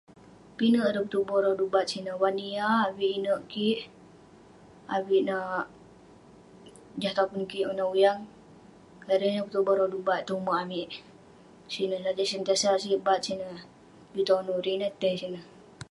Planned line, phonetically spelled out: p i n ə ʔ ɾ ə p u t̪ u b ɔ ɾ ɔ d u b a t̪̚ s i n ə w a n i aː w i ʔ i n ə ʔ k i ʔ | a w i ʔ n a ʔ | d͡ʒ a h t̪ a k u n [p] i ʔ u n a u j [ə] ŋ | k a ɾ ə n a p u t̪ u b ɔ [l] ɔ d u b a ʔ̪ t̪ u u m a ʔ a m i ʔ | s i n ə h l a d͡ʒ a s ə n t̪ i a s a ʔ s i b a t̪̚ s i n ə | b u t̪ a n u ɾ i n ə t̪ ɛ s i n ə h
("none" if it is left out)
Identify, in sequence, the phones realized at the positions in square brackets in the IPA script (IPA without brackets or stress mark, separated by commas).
k, a, ɾ